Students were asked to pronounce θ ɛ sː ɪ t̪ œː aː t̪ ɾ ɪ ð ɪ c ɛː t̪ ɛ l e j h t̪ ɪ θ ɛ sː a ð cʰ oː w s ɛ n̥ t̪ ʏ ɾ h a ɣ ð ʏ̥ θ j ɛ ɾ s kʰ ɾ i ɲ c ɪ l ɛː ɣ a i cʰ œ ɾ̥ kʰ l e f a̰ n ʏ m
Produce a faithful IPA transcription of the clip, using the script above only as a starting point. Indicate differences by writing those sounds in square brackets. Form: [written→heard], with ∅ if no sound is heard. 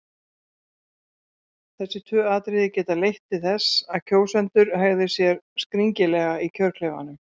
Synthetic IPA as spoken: θ ɛ sː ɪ [t̪→t̪ʰ] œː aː t̪ ɾ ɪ ð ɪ c ɛː t̪ [ɛ→a] l e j h t̪ ɪ θ ɛ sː a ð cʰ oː w s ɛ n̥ t̪ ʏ ɾ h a ɣ ð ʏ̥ [θ→s] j ɛ ɾ s [kʰ→k] ɾ i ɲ c ɪ l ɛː ɣ a i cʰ œ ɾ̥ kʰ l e [f→v] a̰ n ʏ m